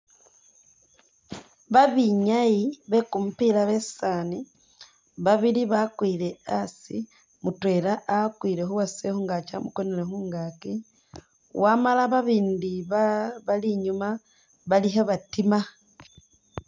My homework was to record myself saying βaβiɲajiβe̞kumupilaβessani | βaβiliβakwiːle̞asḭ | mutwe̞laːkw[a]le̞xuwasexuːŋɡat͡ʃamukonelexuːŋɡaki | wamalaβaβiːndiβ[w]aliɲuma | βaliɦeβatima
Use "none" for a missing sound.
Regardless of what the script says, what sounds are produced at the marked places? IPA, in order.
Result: i, β

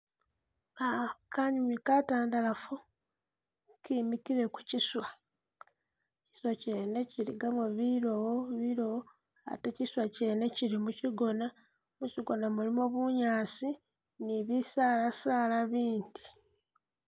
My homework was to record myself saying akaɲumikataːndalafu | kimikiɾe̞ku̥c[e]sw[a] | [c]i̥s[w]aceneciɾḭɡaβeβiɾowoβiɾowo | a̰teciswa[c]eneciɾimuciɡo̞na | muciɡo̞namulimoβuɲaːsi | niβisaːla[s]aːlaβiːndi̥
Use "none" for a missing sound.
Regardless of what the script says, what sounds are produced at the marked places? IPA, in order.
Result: i, a, c, w, c, s

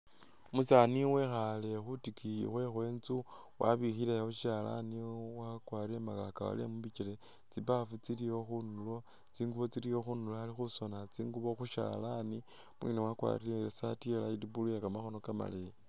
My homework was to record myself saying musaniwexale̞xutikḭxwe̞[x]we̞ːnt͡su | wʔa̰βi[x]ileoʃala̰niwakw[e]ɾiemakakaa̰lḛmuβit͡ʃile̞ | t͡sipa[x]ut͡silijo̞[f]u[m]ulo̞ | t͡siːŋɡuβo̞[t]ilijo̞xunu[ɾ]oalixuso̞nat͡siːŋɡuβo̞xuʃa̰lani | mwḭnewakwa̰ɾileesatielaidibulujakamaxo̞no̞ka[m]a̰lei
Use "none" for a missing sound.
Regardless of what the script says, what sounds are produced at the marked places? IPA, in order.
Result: x, x, a, f, x, n, t͡s, l, m

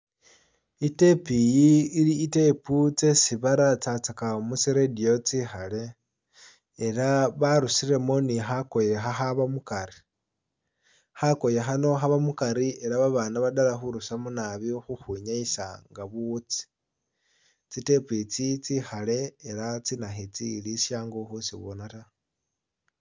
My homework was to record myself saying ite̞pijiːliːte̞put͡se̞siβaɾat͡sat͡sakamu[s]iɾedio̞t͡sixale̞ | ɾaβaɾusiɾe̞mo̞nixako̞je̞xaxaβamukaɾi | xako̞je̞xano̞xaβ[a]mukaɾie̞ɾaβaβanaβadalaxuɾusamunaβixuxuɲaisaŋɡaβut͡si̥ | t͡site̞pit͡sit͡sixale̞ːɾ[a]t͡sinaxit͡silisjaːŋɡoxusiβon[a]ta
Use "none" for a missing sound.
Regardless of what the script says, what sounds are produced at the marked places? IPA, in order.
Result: s, a, a, a

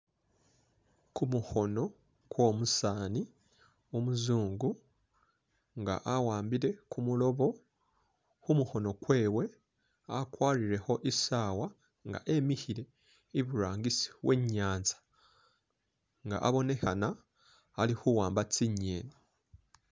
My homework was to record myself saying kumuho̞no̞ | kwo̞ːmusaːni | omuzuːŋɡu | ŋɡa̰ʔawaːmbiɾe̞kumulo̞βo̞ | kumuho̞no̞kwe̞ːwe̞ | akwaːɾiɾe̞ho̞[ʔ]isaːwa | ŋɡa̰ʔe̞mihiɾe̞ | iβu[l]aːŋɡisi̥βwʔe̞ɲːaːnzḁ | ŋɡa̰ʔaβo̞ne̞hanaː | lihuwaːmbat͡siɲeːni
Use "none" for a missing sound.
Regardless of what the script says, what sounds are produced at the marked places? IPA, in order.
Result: ʔ, ɾ

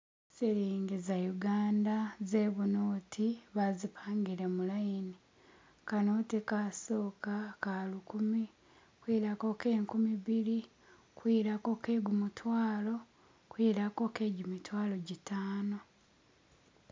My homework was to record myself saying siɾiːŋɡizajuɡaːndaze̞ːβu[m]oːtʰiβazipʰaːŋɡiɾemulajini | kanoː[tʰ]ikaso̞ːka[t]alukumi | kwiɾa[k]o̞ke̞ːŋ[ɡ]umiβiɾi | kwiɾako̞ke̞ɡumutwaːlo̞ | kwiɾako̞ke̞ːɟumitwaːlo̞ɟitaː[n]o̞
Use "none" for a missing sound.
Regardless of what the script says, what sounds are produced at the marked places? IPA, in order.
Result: n, t, k, k, k, n

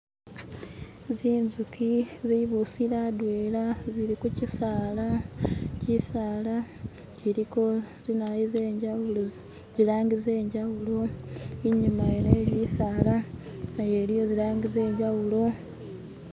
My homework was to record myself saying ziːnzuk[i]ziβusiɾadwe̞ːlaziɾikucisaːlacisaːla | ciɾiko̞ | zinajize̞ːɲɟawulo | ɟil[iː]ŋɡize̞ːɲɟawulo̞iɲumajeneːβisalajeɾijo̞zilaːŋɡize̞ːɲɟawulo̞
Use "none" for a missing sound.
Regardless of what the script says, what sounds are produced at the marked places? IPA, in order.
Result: i, aː

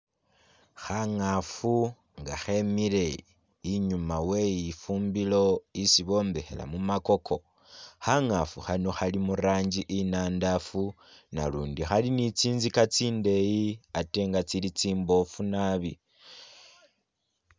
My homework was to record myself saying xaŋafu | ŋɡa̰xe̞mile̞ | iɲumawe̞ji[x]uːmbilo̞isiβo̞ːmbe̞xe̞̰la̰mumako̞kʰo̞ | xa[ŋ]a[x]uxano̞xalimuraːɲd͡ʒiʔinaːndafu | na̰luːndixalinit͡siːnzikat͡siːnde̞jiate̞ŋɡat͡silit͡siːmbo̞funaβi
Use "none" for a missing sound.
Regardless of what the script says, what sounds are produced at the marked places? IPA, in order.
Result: f, ŋ, f

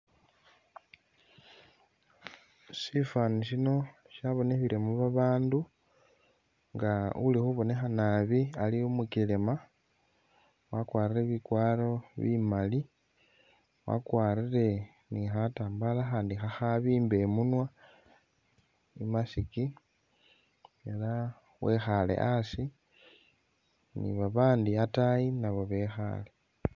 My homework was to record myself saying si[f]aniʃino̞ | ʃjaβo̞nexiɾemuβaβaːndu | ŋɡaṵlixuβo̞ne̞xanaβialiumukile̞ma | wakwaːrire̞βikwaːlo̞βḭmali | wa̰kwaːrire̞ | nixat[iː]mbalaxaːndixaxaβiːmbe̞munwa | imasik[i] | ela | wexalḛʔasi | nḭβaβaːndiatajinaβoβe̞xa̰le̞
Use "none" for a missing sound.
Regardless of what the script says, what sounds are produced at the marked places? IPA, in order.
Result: f, aː, i

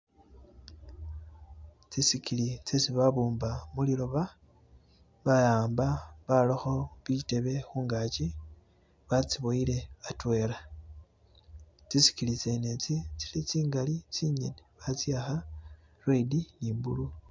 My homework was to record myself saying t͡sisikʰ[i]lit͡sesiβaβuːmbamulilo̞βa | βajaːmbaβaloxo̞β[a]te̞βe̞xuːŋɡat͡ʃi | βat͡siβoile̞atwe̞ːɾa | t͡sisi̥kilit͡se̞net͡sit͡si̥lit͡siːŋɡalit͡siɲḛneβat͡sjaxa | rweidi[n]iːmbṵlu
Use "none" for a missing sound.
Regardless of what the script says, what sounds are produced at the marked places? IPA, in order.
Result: i, i, n

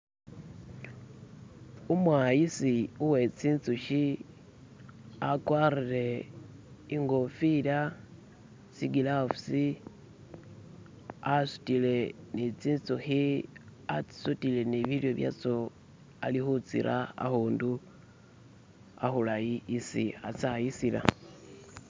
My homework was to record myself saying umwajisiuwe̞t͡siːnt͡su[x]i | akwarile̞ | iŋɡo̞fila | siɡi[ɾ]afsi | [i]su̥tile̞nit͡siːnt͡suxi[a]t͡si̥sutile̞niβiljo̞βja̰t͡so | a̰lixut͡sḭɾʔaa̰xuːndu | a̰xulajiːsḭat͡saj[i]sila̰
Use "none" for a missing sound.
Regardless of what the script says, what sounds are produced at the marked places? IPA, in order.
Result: ʃ, l, a, a, i

